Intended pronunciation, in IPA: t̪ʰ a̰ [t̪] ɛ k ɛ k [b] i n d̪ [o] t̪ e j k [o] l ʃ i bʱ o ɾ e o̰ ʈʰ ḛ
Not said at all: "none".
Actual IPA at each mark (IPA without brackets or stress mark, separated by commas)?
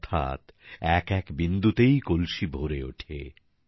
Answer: t̪, b, u, o